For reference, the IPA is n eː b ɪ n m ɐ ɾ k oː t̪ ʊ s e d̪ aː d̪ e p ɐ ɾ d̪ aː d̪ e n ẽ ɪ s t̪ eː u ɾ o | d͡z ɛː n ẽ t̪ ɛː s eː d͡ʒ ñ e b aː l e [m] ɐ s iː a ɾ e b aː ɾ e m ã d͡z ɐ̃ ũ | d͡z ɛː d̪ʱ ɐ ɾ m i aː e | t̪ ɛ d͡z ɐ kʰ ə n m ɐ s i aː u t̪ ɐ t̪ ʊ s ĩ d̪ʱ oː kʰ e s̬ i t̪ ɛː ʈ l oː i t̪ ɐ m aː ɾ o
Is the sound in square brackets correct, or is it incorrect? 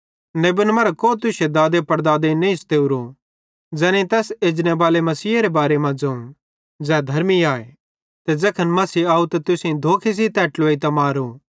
correct